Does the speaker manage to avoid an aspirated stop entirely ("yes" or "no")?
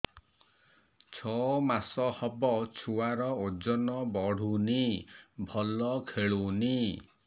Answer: no